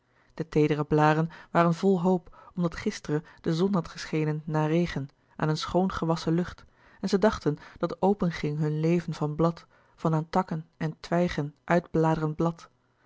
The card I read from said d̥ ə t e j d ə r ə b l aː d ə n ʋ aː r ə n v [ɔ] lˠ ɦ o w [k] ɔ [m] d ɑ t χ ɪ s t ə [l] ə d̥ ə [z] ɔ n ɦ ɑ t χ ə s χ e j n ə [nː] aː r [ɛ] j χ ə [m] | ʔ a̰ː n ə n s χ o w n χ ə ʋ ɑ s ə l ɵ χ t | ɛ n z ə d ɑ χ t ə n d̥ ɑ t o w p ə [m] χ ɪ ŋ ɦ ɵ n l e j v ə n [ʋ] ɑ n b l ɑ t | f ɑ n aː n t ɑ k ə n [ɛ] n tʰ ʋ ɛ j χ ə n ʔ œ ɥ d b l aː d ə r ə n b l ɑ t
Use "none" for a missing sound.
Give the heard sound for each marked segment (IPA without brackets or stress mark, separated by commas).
ɔ, p, m, r, z, nː, e, n, n, v, ɛ